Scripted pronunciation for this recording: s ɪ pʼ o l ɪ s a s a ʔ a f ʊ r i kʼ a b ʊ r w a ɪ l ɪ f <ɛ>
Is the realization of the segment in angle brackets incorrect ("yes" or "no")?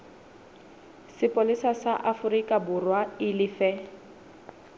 no